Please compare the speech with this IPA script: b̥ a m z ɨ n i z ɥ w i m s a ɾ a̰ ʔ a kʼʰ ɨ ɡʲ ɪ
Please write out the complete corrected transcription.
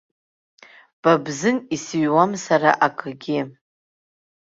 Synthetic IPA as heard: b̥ a b z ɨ n i s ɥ w a m s a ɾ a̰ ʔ a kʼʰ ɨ ɡʲ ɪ